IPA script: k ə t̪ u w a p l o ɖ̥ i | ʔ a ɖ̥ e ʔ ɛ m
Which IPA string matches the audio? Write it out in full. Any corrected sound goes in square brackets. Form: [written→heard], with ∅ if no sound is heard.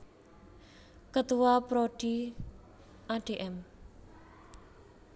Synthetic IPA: k ə t̪ u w a p [l→ɾ] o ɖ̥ i | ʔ a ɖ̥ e ʔ ɛ m